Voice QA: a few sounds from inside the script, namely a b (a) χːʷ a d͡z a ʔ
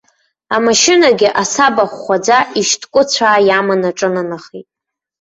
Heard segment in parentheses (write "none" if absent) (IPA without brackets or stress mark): a